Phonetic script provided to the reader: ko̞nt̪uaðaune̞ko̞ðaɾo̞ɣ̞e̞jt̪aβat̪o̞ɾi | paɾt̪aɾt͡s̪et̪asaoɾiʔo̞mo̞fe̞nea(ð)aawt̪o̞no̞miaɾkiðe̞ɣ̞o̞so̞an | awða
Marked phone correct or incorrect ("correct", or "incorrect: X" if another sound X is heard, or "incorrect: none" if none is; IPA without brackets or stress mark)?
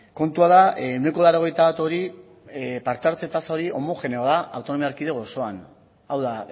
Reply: correct